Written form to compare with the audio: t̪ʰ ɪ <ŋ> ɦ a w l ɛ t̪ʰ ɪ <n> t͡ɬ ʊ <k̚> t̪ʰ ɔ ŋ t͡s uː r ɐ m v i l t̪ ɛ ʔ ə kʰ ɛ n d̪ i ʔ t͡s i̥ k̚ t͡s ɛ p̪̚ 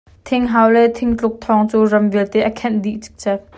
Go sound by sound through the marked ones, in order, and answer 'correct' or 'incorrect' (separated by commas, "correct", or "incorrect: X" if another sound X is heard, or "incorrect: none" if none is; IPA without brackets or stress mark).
correct, incorrect: ŋ, correct